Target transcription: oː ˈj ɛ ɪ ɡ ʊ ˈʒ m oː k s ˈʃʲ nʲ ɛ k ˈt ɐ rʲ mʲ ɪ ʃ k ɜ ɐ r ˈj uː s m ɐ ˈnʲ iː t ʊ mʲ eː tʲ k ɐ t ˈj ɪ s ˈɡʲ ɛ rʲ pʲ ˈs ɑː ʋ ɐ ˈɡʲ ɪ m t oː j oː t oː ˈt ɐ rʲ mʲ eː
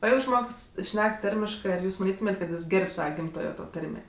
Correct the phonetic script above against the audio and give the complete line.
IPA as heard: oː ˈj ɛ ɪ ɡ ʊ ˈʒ m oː k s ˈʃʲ nʲ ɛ k ˈt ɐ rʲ mʲ ɪ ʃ k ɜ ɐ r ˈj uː s m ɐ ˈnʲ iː t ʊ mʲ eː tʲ k ɐ t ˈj ɪ s ˈɡʲ ɛ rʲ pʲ ˈs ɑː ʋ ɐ ˈɡʲ ɪ m t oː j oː t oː ˈt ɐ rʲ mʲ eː